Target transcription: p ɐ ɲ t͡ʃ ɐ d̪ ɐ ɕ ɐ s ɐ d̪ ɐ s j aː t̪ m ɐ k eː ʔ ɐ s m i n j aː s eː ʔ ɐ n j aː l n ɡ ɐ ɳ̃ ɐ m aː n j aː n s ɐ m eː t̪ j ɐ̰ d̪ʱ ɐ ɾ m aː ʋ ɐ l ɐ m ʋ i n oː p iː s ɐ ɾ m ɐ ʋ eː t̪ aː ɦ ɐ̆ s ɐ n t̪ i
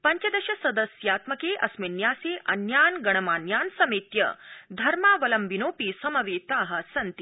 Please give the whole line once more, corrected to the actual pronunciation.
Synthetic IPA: p ɐ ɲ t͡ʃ ɐ d̪ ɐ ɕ ɐ s ɐ d̪ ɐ s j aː t̪ m ɐ k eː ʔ ɐ s m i n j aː s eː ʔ ɐ n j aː n ɡ ɐ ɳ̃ ɐ m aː n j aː n s ɐ m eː t̪ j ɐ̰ d̪ʱ ɐ ɾ m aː ʋ ɐ l ɐ m ʋ i n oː p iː s ɐ m ɐ ʋ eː t̪ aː ɦ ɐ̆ s ɐ n t̪ i

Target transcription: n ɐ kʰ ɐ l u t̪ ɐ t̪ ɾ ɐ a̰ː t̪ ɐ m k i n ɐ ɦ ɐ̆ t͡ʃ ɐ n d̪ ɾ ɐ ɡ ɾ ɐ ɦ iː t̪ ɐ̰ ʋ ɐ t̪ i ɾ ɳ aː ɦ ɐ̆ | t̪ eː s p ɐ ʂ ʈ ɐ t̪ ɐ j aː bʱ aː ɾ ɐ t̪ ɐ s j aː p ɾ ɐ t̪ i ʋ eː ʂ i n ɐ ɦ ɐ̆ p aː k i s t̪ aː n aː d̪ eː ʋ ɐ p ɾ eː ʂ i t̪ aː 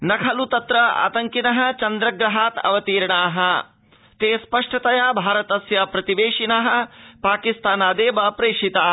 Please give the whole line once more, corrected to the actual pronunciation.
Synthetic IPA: n ɐ kʰ ɐ l u t̪ ɐ t̪ ɾ ɐ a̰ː t̪ ɐ ŋ k i n ɐ ɦ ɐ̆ t͡ʃ ɐ n d̪ ɾ ɐ ɡ ɾ ɐ ɦ aː t̪ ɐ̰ ʋ ɐ t̪ iː ɾ ɳ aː ɦ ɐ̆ | t̪ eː s p ɐ ʂ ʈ ɐ t̪ ɐ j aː bʱ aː ɾ ɐ t̪ ɐ s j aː p ɾ ɐ t̪ i ʋ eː ʂ i n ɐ ɦ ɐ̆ p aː k i s t̪ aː n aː d̪ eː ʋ ɐ p ɾ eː ʂ i t̪ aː

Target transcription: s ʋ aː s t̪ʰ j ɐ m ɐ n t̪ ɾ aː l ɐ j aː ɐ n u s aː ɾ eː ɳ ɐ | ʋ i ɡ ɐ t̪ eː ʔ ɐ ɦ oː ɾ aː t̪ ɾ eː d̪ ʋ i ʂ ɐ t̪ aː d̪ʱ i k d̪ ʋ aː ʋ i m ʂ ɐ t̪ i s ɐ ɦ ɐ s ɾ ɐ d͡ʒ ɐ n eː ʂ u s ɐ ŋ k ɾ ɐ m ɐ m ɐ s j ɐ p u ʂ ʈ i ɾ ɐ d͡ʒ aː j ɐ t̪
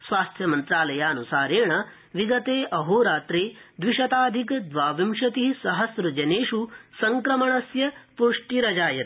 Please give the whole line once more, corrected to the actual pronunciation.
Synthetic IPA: s ʋ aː s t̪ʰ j ɐ m ɐ n t̪ ɾ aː l ɐ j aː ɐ n u s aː ɾ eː ɳ ɐ | ʋ i ɡ ɐ t̪ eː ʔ ɐ ɦ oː ɾ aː t̪ ɾ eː d̪ ʋ i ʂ ɐ t̪ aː d̪ʱ i k d̪ ʋ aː ʋ i m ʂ ɐ t̪ i s ɐ ɦ ɐ s ɾ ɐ d͡ʒ ɐ n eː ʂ u s ɐ ŋ k ɾ ɐ m ɐ ɳ ɐ s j ɐ p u ʂ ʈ i ɾ ɐ d͡ʒ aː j ɐ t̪

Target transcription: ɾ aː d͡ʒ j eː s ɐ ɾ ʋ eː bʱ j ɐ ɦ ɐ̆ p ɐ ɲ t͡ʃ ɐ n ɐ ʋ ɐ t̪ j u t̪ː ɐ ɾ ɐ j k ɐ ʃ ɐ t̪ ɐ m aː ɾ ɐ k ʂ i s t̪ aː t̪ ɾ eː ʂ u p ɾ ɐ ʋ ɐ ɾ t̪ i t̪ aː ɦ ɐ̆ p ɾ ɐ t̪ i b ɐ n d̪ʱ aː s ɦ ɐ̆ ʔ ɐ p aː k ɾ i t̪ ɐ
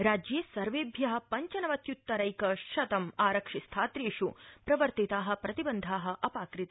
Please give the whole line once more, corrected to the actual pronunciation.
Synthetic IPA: ɾ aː d͡ʒ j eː s ɐ ɾ ʋ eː bʱ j ɐ ɦ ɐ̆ p ɐ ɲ t͡ʃ ɐ n ɐ ʋ ɐ t̪ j u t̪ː ɐ ɾ ɐ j k ɐ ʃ ɐ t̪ ɐ m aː ɾ ɐ k ʂ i s t̪ʰ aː t̪ ɾ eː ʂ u p ɾ ɐ ʋ ɐ ɾ t̪ i t̪ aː ɦ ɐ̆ p ɾ ɐ t̪ i b ɐ n d̪ʱ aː ɦ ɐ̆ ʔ ɐ p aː k ɾ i t̪ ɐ

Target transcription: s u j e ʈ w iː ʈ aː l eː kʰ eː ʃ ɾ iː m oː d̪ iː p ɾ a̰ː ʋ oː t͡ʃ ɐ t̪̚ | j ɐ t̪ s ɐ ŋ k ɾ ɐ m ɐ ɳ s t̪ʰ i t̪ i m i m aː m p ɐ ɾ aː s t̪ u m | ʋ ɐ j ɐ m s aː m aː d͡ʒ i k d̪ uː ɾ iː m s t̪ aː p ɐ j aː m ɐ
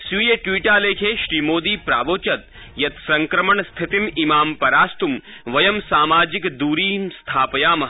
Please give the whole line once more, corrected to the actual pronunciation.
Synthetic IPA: s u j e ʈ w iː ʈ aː l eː kʰ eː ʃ ɾ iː m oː d̪ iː p ɾ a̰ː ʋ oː t͡ʃ ɐ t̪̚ | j ɐ t̪ s ɐ ŋ k ɾ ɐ m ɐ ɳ s t̪ʰ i t̪ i m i m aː m p ɐ ɾ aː s t̪ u m | ʋ ɐ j ɐ m s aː m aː d͡ʒ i k d̪ uː ɾ iː m s t̪ʰ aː p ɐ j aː m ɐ

